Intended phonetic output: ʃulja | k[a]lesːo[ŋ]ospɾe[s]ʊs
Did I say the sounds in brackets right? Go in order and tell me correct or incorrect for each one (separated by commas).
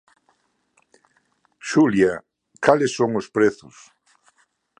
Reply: correct, correct, incorrect